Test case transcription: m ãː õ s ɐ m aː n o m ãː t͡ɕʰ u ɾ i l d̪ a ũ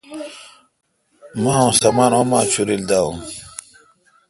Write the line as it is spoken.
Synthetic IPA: m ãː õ s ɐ m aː n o m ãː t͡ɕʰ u ɾ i l d̪ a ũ